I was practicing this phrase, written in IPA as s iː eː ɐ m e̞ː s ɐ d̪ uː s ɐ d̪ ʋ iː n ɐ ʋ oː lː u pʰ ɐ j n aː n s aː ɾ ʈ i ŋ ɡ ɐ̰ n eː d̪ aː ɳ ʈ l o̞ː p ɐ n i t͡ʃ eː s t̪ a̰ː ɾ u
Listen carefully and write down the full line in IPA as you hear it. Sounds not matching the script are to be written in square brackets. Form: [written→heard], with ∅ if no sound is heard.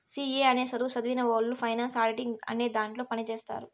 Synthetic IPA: s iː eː ɐ [m→n] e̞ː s ɐ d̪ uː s ɐ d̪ ʋ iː n ɐ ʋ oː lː u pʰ ɐ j n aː n s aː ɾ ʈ i ŋ ɡ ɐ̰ n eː d̪ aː ɳ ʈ l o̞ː p ɐ n i t͡ʃ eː s t̪ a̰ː ɾ u

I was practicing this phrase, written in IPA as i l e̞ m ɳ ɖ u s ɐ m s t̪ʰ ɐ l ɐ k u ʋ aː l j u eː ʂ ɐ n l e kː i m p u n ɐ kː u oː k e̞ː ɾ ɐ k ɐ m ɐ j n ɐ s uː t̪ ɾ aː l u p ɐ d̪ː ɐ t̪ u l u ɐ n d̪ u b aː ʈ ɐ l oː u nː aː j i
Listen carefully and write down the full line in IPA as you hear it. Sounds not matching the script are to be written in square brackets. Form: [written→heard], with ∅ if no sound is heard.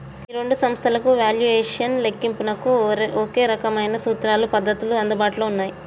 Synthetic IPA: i [l→ɾ] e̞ [m→∅] ɳ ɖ u s ɐ m s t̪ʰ ɐ l ɐ k u ʋ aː l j u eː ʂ ɐ n l e kː i m p u n ɐ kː u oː k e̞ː ɾ ɐ k ɐ m ɐ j n ɐ s uː t̪ ɾ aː l u p ɐ d̪ː ɐ t̪ u l u ɐ n d̪ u b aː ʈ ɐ l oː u nː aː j i

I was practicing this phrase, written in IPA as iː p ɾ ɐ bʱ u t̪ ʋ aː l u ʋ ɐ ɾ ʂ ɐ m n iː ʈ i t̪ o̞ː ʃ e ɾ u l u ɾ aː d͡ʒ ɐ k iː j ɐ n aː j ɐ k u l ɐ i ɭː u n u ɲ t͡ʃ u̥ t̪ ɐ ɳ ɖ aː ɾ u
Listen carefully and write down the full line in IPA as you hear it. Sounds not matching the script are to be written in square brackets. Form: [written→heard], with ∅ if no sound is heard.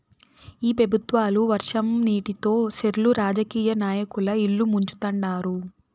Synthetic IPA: iː p ɾ ɐ bʱ u t̪ ʋ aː l u ʋ ɐ ɾ ʂ ɐ m n iː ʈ i t̪ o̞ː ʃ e ɾ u l u ɾ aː d͡ʒ ɐ k iː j ɐ n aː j ɐ k u l ɐ i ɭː u [n→m] u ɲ t͡ʃ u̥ t̪ ɐ ɳ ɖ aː ɾ u

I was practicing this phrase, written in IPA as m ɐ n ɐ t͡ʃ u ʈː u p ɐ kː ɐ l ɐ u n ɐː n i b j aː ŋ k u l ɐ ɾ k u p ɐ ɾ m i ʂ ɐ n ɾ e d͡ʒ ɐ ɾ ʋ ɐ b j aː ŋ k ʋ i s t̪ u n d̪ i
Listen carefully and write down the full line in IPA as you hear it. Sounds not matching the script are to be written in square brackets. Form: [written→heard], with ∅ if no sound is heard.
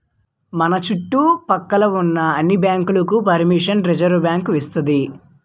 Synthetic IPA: m ɐ n ɐ t͡ʃ u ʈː u p ɐ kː ɐ l ɐ u [n→nː] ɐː [n→nː] i b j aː ŋ k u l ɐ [ɾ→∅] k u p ɐ ɾ m i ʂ ɐ n ɾ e d͡ʒ ɐ ɾ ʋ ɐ b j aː ŋ k ʋ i s t̪ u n d̪ i

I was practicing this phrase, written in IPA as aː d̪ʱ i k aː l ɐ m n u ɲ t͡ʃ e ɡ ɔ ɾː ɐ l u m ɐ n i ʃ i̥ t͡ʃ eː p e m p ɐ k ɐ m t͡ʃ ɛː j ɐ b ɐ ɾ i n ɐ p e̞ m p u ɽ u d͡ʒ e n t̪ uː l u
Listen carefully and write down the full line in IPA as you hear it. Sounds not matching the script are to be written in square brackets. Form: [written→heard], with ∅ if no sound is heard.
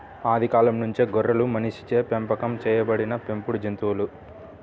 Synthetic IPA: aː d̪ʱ i k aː l ɐ m n u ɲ t͡ʃ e ɡ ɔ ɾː ɐ l u m ɐ n i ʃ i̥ t͡ʃ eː p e m p ɐ k ɐ m t͡ʃ ɛː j ɐ b ɐ [ɾ→ɽ] i n ɐ p e̞ m p u ɽ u d͡ʒ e n t̪ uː l u

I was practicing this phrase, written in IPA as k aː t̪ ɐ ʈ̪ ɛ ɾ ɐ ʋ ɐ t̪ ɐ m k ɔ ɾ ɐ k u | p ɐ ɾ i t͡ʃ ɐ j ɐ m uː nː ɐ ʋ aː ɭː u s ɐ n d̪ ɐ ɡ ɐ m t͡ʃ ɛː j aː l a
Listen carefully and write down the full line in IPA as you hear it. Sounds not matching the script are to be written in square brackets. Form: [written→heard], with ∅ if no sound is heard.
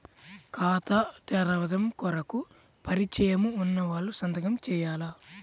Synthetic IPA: k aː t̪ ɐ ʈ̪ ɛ ɾ ɐ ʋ ɐ [t̪→d̪] ɐ m k ɔ ɾ ɐ k u | p ɐ ɾ i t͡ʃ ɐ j ɐ m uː nː ɐ ʋ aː ɭː u s ɐ n d̪ ɐ ɡ ɐ m t͡ʃ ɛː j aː l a

